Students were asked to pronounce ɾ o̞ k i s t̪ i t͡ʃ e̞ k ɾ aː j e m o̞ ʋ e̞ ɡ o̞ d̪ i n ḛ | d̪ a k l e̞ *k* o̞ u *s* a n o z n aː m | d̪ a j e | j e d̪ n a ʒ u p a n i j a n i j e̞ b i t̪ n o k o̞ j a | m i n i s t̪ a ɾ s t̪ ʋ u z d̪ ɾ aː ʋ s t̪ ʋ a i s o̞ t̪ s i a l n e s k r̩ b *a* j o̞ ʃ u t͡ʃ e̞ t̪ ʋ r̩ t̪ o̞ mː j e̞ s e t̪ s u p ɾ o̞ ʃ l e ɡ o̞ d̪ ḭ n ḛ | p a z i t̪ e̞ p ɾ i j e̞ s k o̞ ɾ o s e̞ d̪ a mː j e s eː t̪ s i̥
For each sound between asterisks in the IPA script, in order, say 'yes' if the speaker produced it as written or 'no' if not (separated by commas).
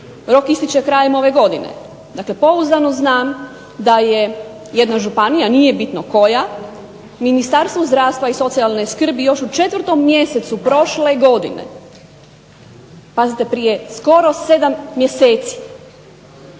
no, no, no